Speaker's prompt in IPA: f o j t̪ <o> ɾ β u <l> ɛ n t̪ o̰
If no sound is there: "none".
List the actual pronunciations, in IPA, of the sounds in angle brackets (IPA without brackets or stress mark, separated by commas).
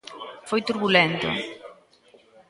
u, l